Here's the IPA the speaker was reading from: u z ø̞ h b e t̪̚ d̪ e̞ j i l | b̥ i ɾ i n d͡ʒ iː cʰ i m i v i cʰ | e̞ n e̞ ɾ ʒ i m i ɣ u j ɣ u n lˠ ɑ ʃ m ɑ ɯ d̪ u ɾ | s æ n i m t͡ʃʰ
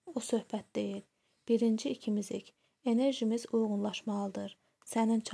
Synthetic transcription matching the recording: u s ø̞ h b æ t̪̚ d̪ e̞ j i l | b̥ i ɾ i n d͡ʒ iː cʰ i m i z i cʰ | e̞ n e̞ ɾ ʒ i m i z u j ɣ u n lˠ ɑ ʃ m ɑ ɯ d̪ ɯ ɾ | s æ n i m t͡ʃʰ